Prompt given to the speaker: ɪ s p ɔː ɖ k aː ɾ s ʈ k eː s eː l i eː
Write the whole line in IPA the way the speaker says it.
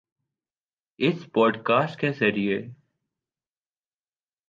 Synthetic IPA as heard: ɪ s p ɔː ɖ k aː s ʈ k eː s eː ɾ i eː